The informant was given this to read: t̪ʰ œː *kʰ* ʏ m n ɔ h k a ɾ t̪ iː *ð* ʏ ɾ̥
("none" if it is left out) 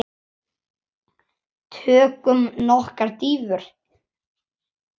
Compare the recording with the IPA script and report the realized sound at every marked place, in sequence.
k, v

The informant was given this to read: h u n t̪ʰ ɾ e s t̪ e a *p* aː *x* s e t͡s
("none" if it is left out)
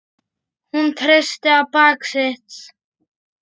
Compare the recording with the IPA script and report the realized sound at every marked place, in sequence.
p, k

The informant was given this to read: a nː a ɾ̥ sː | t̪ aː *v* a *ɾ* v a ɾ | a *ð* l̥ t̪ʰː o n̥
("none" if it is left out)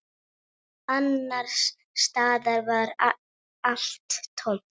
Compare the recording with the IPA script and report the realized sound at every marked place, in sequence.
ð, ɾ, none

